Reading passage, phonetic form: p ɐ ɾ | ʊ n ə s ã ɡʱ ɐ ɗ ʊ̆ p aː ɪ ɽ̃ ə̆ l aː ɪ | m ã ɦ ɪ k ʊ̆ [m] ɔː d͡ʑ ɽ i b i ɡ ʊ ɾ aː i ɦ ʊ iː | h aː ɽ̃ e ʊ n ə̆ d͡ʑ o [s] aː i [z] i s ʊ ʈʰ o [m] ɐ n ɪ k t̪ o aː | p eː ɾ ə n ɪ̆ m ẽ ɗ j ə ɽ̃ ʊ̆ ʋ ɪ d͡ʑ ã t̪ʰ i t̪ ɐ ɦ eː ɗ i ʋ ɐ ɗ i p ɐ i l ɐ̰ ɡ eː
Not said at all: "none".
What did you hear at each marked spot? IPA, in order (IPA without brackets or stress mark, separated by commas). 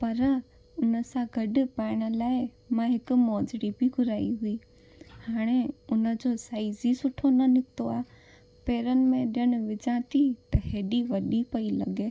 m, s, z, n